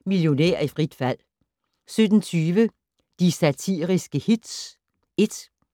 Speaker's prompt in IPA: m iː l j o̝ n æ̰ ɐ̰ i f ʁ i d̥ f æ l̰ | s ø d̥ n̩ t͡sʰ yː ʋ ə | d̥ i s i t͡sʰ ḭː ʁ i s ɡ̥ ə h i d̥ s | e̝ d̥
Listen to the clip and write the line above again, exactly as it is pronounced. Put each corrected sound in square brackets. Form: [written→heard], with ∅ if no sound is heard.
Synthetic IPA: m [iː→i] l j o̝ n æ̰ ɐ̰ i f ʁ i d̥ f æ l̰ | s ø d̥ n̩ t͡sʰ yː ʋ ə | d̥ i s [i→æ] t͡sʰ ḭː ʁ i s ɡ̥ ə h i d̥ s | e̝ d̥